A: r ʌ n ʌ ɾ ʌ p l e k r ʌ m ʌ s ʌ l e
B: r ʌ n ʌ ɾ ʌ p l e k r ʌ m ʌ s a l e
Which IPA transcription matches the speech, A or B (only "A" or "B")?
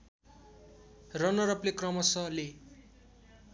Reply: A